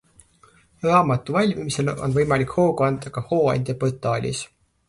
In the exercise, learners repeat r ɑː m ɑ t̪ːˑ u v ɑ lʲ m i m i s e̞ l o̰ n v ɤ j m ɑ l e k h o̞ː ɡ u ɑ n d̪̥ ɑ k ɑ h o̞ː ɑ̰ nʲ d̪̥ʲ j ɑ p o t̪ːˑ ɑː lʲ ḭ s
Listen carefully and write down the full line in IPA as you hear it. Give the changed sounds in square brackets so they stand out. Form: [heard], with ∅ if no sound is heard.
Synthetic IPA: r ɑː m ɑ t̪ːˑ u v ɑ lʲ m i m i s e̞ l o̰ n v ɤ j m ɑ l [i] k h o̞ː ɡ u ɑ n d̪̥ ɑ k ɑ h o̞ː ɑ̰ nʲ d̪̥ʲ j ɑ p o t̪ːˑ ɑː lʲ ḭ s